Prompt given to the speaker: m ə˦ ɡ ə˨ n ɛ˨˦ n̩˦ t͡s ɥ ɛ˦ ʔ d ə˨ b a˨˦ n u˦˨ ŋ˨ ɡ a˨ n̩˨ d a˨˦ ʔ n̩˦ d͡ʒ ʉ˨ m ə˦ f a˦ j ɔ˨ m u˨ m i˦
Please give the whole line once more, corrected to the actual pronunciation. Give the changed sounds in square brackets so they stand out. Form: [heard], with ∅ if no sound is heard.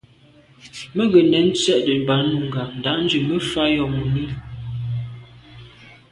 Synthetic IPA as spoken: m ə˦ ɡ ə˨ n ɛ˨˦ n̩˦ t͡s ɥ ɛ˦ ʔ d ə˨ b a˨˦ n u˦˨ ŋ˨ ɡ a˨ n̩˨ d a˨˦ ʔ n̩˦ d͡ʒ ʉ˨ m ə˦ f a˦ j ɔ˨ m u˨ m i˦